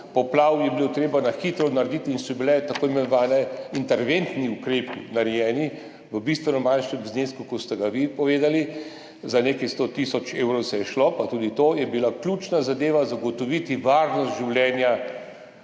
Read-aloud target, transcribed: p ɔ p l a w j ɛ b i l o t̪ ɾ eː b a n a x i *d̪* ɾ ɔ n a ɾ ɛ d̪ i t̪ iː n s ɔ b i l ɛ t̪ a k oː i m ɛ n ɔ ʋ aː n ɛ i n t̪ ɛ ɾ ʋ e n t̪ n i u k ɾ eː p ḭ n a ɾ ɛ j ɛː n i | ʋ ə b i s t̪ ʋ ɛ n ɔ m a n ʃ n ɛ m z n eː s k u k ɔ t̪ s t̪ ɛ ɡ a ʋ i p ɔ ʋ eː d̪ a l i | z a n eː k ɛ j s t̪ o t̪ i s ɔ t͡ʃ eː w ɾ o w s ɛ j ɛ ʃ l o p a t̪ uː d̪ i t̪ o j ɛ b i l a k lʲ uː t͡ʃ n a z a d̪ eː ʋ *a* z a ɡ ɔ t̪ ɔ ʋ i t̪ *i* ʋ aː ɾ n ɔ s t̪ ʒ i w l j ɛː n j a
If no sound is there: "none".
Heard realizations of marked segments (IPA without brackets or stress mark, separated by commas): t̪, a, i